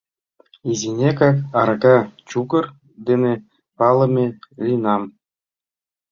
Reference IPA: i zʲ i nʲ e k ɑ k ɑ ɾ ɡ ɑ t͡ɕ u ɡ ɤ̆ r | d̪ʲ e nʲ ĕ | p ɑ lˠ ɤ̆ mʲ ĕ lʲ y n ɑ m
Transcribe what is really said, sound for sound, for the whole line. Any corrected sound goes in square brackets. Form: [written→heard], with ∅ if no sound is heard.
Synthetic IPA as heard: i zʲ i nʲ e k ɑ k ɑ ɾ ɡ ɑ t͡ɕ u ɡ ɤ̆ r | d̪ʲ e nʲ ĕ | p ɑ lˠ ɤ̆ mʲ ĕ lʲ [y→i] n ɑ m